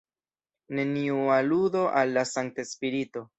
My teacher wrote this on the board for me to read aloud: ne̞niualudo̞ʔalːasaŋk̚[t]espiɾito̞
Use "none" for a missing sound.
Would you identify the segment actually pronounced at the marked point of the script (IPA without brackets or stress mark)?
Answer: t